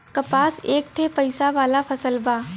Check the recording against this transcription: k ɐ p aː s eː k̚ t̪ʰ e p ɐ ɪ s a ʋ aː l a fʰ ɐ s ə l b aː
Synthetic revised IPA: k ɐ p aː s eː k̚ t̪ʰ e p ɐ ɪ s a ʋ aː l a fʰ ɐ s ə l b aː